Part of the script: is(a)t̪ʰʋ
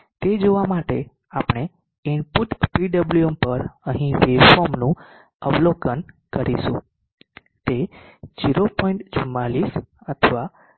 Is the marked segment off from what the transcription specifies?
yes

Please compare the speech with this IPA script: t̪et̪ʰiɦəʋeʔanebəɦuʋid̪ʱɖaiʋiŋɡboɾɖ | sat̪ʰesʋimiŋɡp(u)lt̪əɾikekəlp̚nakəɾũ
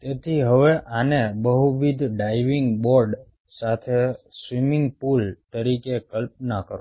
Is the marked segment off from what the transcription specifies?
no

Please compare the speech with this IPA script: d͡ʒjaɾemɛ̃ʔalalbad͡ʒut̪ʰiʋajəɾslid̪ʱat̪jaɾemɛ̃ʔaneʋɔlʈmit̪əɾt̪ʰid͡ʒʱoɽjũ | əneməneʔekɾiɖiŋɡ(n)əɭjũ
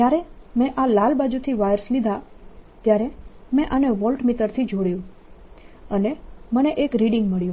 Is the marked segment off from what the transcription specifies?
yes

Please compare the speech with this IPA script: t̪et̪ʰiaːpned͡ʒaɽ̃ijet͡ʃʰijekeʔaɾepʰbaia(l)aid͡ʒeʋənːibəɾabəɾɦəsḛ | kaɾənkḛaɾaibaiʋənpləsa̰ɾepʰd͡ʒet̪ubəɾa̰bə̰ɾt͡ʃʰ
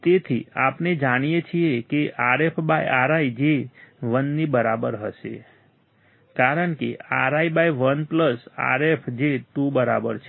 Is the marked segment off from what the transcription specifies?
yes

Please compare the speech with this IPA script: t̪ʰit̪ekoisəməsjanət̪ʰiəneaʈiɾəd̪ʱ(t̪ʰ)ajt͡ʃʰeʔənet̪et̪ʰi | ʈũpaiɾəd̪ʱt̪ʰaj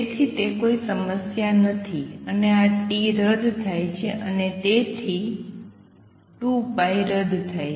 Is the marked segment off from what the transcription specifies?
no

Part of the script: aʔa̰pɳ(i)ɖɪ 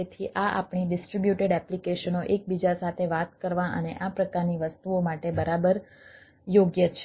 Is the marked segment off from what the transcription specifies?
no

